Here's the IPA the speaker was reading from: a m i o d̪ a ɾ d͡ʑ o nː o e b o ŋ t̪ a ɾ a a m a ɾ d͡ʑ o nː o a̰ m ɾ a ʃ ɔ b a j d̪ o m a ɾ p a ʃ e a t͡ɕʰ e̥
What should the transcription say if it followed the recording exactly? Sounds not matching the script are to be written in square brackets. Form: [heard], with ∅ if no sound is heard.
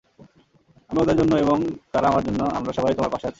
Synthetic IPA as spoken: a m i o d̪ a ɾ d͡ʑ o nː o e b o ŋ t̪ a ɾ a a m a ɾ d͡ʑ o nː o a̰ m ɾ a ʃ ɔ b a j [t̪] o m a ɾ p a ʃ e a t͡ɕʰ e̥